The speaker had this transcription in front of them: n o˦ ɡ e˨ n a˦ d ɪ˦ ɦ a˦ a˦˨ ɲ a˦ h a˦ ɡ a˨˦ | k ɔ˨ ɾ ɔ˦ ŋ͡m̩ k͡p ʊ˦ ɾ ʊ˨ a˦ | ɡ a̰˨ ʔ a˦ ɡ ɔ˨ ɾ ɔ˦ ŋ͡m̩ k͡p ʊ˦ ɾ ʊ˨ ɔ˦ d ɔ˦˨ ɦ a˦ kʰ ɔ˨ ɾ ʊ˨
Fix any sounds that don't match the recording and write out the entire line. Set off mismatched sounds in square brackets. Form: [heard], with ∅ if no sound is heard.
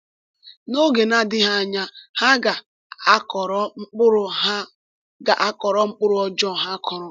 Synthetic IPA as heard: n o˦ ɡ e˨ n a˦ d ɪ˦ ɦ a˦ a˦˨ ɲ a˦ h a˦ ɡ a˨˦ | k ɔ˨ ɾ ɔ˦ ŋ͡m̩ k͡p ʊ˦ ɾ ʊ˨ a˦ | ɡ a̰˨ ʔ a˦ [k] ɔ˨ ɾ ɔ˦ ŋ͡m̩ k͡p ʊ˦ ɾ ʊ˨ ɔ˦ [d͡ʒ] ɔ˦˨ ɦ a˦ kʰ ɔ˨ ɾ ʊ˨